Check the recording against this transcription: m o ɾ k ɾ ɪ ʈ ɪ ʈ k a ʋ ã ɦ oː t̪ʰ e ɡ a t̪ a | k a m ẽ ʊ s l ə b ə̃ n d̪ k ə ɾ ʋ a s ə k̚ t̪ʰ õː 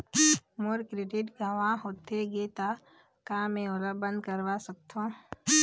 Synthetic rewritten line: m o ɾ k ɾ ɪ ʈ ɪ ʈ ɡ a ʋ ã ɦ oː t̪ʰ e ɡ e t̪ a | k a m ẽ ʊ l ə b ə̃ n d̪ k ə ɾ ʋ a s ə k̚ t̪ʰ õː